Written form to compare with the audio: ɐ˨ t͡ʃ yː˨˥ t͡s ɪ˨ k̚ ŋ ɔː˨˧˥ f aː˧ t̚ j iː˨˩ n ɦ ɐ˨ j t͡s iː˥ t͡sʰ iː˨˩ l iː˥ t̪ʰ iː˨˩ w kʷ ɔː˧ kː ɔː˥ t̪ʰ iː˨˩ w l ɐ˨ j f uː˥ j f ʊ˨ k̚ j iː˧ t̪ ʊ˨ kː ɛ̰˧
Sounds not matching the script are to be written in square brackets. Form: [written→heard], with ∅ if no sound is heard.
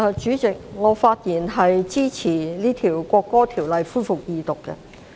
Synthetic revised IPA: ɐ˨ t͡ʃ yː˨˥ t͡s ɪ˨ k̚ ŋ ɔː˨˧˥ f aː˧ t̚ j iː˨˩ n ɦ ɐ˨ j t͡s iː˥ t͡sʰ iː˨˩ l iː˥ t̪ʰ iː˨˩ w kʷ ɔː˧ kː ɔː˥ t̪ʰ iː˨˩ w l ɐ˨ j f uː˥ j f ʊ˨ k̚ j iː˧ t̪ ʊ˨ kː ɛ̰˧